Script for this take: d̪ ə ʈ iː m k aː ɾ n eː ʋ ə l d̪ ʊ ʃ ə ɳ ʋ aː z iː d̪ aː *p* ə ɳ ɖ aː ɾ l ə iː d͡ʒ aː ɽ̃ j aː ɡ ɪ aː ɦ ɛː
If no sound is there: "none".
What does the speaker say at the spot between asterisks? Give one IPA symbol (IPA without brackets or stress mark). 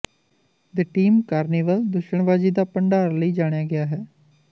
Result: p